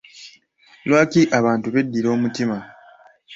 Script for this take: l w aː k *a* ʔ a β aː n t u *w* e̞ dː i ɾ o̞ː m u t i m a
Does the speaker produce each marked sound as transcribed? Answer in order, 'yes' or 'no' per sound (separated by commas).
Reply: no, no